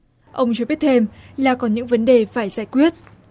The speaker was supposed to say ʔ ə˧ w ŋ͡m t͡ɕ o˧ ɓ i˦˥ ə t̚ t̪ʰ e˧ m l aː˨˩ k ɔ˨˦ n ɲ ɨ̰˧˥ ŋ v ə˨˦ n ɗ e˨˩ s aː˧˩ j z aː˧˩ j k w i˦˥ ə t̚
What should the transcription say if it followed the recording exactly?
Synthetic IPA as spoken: ʔ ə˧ w ŋ͡m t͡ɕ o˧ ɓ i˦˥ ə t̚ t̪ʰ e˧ m l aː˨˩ k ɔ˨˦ n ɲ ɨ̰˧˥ ŋ v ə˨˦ n ɗ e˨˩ f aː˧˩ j z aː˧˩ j k w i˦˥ ə t̚